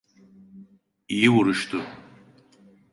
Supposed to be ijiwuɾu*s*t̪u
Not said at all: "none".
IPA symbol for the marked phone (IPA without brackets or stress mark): ʃ